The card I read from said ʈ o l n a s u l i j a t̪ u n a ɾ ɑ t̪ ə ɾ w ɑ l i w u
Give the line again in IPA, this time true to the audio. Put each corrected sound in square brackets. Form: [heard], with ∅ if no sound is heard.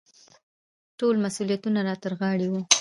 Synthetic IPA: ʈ o l [m] a s u l i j a t̪ u n a ɾ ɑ t̪ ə ɾ [ɣ] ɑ [ɽ] i w u